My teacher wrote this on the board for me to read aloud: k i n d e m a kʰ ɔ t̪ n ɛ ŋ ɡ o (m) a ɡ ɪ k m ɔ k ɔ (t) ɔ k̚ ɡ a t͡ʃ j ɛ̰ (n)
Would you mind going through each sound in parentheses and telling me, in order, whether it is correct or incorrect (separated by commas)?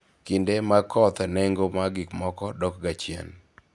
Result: correct, incorrect, correct